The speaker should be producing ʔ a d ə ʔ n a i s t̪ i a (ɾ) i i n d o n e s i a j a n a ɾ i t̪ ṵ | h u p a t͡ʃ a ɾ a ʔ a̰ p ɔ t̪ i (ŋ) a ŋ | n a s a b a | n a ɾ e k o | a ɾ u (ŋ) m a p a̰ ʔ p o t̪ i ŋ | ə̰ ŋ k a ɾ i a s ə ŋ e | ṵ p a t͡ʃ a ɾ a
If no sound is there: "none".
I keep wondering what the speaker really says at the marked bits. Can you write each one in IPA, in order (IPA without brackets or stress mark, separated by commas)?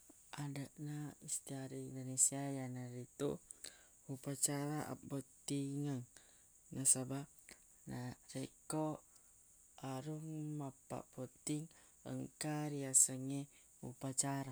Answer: ɾ, ŋ, ŋ